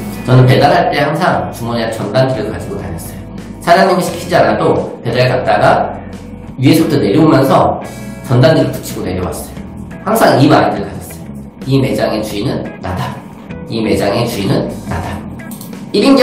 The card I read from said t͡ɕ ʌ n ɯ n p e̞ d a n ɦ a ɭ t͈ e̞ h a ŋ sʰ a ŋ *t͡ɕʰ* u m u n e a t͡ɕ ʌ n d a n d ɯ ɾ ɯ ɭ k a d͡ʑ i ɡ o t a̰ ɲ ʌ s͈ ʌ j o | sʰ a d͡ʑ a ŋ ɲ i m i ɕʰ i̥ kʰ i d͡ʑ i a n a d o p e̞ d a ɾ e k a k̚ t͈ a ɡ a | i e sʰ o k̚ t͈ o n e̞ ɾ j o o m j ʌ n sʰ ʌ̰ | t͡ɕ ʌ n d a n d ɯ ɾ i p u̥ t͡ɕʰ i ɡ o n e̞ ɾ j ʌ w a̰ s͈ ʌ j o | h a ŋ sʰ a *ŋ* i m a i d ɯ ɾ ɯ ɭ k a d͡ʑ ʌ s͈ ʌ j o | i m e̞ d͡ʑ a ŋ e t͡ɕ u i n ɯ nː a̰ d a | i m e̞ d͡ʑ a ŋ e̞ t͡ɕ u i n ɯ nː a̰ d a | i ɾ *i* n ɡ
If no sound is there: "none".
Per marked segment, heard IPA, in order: t͡ɕ, ŋ, i

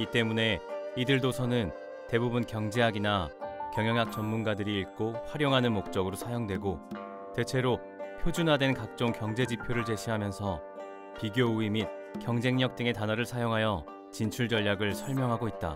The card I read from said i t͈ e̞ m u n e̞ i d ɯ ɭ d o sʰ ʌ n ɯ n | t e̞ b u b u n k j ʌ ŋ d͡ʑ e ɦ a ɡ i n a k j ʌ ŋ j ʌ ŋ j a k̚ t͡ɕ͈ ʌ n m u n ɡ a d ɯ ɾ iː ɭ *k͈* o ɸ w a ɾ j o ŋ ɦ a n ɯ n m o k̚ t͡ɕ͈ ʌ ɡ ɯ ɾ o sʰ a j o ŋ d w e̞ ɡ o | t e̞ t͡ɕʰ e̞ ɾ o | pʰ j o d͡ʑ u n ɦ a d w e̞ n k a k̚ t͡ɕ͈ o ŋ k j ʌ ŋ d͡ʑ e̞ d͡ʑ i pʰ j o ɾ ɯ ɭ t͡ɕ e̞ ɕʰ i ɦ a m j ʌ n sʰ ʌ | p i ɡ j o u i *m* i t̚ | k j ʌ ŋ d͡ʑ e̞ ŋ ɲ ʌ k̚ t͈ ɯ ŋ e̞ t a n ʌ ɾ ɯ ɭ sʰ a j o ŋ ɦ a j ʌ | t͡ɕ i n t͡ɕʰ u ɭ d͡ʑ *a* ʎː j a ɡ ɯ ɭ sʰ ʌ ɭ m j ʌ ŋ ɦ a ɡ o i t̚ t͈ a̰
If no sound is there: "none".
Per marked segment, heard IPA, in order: k͈, m, ʌ

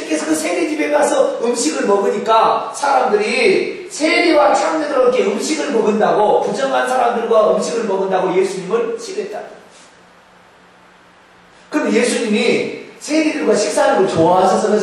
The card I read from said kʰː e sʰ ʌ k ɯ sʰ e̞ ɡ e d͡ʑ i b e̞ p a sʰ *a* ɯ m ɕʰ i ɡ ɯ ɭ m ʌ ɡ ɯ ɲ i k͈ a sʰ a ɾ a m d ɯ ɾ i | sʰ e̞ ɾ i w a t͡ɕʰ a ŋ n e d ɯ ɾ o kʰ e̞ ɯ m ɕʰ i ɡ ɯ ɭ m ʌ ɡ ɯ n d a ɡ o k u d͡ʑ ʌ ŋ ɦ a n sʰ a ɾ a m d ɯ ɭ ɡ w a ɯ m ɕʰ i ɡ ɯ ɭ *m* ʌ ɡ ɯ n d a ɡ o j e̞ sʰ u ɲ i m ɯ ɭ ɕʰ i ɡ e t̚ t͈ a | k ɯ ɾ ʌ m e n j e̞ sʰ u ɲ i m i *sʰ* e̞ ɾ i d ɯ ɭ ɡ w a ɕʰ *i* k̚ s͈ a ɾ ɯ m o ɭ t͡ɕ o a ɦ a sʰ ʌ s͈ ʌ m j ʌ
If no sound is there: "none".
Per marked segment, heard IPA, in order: ʌ, m, sʰ, i

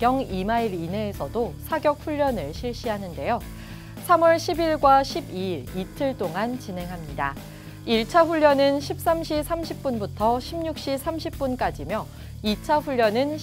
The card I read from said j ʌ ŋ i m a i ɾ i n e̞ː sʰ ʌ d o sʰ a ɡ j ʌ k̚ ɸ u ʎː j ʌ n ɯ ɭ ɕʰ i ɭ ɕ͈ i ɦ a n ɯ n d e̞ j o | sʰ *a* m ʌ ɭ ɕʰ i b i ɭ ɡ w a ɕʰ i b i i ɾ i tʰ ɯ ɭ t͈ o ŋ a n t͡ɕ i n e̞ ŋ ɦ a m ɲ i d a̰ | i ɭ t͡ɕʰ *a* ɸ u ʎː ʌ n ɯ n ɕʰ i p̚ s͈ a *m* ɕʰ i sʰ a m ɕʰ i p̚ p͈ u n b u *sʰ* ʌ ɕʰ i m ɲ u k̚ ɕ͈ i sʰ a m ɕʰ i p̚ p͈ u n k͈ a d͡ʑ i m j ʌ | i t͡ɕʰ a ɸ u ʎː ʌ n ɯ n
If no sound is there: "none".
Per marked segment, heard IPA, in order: a, a, m, tʰ

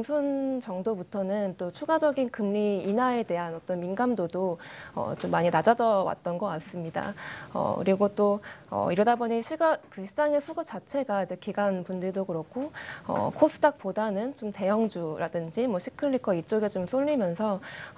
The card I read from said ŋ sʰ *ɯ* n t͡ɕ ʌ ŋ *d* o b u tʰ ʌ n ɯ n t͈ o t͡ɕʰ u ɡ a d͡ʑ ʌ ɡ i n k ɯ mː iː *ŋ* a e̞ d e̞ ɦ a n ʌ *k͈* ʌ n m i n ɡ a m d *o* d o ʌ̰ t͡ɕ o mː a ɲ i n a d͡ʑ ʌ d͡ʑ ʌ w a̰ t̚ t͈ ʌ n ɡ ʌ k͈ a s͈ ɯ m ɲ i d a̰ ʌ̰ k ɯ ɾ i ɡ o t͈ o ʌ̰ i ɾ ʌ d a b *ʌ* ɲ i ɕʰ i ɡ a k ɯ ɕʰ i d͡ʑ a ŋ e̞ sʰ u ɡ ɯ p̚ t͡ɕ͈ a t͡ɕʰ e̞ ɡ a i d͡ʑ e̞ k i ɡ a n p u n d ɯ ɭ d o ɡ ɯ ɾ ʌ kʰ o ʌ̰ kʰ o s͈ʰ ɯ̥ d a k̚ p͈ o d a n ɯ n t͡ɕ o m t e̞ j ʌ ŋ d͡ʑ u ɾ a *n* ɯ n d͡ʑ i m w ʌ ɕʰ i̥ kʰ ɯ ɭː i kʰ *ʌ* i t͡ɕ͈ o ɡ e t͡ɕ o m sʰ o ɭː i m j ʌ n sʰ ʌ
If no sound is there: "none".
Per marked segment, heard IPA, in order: u, d, n, t͈, o, ʌ, d, ʌ

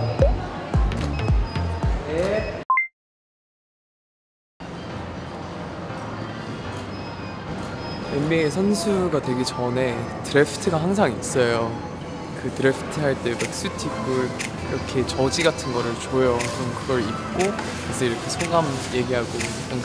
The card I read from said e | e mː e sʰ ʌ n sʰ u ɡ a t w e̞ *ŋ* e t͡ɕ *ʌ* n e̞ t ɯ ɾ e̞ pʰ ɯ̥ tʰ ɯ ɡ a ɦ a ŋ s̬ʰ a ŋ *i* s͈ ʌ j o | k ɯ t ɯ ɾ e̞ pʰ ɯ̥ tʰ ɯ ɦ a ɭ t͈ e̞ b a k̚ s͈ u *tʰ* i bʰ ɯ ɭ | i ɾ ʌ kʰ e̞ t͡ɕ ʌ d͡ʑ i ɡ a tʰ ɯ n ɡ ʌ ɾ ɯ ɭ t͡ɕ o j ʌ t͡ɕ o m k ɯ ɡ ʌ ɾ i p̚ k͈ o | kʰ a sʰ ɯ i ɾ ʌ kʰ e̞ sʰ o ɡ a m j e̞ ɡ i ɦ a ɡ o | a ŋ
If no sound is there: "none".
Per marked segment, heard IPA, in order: ɡ, ʌ, i, tʰ

